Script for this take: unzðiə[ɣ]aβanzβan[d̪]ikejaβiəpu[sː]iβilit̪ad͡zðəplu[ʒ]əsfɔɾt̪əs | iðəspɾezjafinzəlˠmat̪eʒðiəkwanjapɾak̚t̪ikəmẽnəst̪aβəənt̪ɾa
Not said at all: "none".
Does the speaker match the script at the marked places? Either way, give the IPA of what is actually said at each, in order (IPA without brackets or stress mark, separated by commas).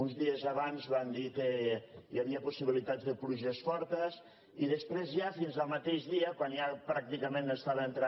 z, d̪, s, ʒ